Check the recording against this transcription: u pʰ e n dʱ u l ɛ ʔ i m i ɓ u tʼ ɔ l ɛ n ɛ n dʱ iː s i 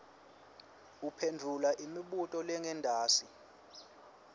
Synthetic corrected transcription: u pʰ e n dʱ u l a ʔ i m i ɓ u tʼ ɔ l ɛ ŋ ɛ n dʱ aː s i